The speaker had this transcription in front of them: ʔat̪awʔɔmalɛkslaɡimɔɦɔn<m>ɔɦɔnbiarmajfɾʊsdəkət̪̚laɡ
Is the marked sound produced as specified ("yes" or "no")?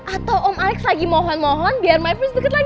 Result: yes